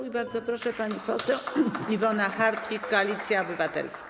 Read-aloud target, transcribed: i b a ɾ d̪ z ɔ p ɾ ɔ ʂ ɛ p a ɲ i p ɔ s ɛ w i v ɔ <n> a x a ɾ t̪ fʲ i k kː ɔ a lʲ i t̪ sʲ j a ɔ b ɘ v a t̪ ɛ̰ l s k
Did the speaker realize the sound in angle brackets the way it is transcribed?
yes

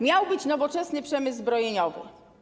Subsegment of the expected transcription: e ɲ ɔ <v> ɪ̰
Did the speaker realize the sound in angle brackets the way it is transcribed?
yes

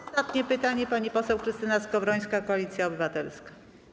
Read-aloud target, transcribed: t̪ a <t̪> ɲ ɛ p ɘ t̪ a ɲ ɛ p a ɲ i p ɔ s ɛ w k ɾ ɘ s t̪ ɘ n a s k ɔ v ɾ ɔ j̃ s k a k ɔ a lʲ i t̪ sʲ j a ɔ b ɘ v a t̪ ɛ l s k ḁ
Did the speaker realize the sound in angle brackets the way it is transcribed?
yes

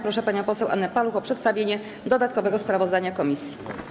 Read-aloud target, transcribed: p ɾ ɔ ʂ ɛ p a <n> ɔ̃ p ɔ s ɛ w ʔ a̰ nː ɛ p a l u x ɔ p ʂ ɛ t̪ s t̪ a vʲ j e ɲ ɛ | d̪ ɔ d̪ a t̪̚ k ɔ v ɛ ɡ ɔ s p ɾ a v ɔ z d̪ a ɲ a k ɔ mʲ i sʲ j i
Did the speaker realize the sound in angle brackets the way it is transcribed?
no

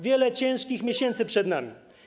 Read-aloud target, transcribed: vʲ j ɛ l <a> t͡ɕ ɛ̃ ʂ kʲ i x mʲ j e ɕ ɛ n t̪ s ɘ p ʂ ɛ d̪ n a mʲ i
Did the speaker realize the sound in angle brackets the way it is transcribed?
no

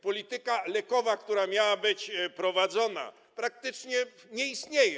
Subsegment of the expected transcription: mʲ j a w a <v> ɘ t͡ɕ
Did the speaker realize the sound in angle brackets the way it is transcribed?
no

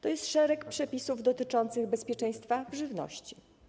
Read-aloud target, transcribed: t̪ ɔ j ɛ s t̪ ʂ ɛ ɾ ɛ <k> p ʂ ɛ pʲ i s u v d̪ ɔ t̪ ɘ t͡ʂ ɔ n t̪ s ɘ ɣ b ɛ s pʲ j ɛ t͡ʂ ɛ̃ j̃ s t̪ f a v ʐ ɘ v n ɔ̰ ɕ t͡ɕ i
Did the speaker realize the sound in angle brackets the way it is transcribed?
yes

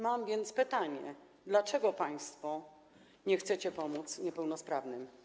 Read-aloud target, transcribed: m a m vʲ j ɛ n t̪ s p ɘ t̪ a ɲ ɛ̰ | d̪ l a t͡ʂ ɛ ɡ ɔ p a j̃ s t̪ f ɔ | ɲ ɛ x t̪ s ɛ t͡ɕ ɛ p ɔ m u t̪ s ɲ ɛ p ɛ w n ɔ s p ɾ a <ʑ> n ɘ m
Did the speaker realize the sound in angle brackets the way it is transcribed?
no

